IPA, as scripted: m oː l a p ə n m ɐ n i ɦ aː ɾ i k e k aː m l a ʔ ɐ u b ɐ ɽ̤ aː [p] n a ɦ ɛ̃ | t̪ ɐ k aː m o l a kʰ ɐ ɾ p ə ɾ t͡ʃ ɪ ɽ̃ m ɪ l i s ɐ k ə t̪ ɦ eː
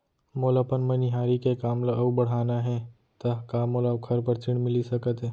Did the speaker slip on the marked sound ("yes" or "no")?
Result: yes